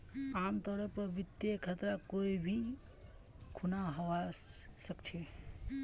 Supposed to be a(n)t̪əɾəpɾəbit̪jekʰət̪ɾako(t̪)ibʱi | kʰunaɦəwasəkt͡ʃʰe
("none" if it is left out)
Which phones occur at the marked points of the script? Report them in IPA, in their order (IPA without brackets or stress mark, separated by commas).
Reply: m, none